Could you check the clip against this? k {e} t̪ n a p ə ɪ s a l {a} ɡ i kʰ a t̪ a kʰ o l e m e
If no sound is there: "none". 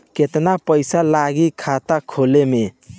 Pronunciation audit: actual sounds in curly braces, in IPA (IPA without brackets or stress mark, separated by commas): e, a